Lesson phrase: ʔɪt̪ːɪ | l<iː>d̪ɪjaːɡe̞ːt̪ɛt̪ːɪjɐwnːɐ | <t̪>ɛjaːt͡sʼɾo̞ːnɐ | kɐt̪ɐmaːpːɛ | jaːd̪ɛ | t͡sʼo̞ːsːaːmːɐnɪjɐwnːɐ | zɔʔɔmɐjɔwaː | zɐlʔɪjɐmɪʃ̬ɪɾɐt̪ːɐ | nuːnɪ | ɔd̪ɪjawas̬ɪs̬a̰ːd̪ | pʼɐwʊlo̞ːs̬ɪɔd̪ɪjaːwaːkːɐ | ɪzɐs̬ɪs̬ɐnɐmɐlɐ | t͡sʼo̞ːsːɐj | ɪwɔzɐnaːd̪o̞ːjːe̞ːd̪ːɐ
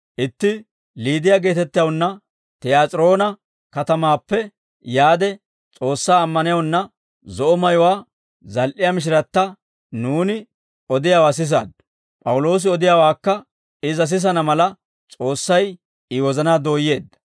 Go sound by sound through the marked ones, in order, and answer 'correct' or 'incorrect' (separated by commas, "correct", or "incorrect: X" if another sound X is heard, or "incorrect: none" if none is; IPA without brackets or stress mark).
correct, correct